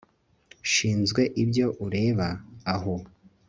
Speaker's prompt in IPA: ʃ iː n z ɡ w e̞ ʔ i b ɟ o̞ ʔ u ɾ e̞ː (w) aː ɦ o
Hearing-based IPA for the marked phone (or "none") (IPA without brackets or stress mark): β